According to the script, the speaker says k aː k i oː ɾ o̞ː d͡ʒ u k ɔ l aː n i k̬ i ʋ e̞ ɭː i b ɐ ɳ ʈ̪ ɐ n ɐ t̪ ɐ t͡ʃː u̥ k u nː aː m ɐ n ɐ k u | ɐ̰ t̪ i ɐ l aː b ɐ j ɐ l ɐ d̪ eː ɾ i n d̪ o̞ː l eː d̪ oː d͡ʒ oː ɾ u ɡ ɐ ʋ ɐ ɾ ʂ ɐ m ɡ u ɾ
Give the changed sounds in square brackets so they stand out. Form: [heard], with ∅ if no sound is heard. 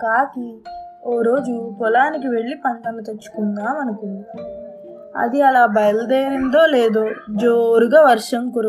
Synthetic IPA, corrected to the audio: k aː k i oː ɾ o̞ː d͡ʒ u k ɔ l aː n i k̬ i ʋ e̞ ɭː i [p] ɐ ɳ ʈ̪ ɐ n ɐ t̪ ɐ t͡ʃː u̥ k u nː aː m ɐ n ɐ k u | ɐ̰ [d̪] i ɐ l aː b ɐ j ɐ l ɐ d̪ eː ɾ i n d̪ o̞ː l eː d̪ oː d͡ʒ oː ɾ u ɡ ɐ ʋ ɐ ɾ ʂ ɐ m [k] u ɾ